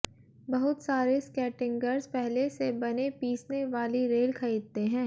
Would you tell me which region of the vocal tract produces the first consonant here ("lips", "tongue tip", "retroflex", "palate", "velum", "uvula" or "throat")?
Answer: lips